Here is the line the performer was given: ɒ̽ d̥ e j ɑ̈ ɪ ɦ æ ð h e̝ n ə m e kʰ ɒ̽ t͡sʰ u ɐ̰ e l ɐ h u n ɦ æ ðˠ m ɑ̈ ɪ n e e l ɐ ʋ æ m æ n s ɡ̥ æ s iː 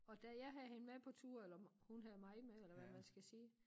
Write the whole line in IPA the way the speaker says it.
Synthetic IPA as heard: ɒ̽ d̥ æ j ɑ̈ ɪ ɦ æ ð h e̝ n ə m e pʰ ɒ̽ t͡sʰ u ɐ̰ e l ɐ h u n ɦ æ ðˠ m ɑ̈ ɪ m e e l ɐ ʋ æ m æ n s ɡ̥ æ s iː